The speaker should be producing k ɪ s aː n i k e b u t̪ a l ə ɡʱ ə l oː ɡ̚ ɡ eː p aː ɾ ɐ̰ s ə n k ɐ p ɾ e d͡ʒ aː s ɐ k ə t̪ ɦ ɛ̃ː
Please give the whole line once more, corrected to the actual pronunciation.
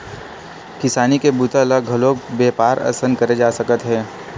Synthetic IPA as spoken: k ɪ s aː n i k e b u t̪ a l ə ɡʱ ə l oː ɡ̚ b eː p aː ɾ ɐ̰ s ə n k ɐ ɾ e d͡ʒ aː s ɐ k ə t̪ ɦ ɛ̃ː